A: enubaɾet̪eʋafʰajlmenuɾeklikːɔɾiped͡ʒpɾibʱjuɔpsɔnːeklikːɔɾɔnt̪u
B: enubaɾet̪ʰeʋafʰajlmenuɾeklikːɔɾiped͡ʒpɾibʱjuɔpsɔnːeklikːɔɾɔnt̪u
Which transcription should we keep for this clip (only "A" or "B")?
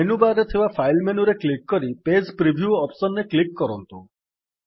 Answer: B